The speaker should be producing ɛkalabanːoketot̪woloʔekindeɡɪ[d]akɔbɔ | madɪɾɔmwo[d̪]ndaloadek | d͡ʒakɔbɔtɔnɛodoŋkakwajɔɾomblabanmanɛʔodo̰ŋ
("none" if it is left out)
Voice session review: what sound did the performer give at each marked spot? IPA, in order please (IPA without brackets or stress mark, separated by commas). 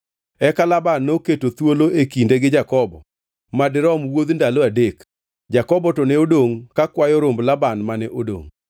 d͡ʒ, d̪